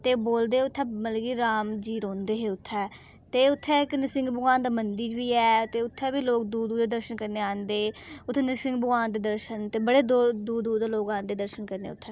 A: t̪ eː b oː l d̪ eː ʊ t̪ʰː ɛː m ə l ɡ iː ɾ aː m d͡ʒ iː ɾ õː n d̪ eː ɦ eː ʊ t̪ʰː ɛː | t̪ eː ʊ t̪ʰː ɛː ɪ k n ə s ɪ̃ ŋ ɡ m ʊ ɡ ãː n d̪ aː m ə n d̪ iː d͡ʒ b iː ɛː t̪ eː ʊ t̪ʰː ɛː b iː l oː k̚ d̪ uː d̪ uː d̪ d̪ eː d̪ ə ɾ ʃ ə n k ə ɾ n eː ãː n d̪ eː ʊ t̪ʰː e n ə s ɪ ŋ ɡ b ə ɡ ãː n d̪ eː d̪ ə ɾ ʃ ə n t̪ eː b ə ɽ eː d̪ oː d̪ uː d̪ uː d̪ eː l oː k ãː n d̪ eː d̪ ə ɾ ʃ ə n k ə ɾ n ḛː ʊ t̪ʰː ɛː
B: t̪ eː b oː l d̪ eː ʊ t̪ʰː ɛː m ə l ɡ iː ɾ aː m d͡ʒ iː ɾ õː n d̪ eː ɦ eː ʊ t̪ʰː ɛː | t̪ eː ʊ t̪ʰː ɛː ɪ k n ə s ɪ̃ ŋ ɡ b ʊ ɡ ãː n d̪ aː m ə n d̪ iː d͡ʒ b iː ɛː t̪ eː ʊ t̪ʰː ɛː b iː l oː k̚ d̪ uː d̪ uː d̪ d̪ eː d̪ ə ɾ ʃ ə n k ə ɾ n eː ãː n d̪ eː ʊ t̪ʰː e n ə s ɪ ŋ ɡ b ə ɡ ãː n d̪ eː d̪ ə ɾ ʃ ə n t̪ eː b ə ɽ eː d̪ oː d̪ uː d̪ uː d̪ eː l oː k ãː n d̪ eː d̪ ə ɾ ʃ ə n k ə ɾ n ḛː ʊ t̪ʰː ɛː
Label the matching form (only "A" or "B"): B